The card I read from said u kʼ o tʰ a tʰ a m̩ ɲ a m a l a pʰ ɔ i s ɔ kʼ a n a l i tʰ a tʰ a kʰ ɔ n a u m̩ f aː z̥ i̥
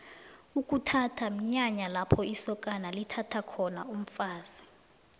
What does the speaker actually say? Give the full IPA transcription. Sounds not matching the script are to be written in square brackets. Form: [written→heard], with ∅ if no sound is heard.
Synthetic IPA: u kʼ [o→u] tʰ a tʰ a m̩ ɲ a [m→ɲ] a l a pʰ ɔ i s ɔ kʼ a n a l i tʰ a tʰ a kʰ ɔ n a u m̩ f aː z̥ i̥